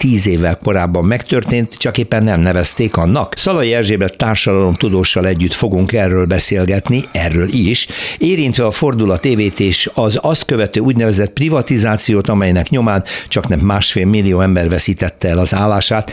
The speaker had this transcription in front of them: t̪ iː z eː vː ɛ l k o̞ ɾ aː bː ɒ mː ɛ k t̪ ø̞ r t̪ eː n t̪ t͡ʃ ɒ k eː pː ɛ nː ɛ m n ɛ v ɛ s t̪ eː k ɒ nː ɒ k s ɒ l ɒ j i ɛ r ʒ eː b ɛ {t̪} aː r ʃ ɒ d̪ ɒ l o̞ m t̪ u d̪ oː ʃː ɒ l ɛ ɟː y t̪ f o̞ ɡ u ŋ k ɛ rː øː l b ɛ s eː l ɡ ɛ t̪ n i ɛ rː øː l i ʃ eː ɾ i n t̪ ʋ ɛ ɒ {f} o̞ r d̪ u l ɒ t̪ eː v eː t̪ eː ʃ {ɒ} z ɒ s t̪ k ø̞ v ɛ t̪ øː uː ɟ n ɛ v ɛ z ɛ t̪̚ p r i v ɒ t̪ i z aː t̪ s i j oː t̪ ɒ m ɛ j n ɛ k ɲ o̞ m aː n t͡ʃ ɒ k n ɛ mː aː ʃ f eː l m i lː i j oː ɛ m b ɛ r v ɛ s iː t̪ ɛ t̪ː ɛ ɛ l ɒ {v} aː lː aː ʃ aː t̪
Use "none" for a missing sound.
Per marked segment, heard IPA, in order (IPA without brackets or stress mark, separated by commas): t̪, f, ɒ, z